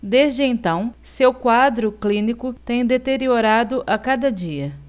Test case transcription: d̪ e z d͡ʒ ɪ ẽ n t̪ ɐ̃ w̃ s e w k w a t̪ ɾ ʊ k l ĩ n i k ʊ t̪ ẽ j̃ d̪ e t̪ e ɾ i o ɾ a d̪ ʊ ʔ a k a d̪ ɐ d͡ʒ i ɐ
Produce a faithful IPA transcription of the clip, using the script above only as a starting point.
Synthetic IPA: d̪ e z d͡ʒ ɪ ẽ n t̪ ɐ̃ w̃ s e w k w a d̪ ɾ ʊ k l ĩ n i k ʊ t̪ ẽ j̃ d̪ e t̪ e ɾ i o ɾ a d̪ ʊ ʔ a k a d̪ ɐ d͡ʒ i ɐ